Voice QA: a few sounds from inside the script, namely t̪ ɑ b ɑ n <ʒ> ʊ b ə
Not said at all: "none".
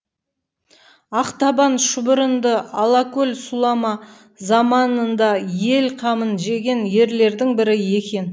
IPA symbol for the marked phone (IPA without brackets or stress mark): ʃ